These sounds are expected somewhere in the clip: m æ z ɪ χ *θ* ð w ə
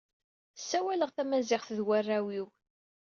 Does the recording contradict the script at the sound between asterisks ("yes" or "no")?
no